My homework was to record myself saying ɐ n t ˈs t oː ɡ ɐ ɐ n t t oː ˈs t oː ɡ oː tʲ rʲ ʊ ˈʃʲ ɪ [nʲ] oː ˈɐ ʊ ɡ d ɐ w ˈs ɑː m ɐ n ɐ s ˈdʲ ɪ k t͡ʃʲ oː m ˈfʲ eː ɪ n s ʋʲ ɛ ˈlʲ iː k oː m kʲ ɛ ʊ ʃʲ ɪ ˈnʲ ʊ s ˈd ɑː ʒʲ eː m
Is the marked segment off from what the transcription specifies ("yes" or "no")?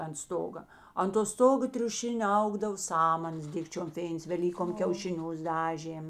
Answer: no